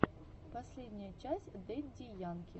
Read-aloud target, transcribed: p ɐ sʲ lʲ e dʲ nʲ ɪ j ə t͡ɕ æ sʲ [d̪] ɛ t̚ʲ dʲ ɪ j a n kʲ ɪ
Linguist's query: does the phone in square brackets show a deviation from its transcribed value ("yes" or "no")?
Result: no